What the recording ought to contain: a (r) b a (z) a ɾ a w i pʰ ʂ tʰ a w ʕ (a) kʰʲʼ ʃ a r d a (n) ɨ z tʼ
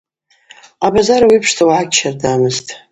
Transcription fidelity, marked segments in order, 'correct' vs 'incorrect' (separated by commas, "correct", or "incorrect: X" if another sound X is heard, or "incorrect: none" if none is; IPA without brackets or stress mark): incorrect: none, correct, correct, incorrect: m